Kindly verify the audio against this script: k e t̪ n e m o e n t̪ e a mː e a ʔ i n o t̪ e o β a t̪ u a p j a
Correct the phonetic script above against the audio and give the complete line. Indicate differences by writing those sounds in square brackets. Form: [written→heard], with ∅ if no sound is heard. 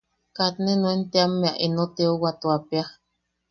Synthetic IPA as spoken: k [e→a] t̪ n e [m→n] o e n t̪ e a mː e a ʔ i n o t̪ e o [β→w] a t̪ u a p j a